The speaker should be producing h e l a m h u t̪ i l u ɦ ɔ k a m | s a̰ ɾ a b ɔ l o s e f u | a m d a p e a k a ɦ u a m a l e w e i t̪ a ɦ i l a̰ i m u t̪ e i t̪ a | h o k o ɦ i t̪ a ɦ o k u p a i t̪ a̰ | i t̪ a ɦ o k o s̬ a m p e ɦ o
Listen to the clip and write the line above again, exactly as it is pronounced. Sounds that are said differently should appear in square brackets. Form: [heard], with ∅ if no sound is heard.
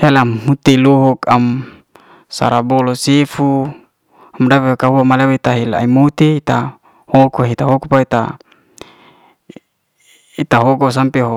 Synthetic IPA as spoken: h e l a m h u t̪ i l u ɦ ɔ k a m | s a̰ ɾ a b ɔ l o s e f u | a m d a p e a k a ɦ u a m a l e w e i t̪ a ɦ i l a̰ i m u t̪ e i t̪ a | h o k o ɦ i t̪ a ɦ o k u p a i t̪ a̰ | i t̪ a ɦ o k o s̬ a m p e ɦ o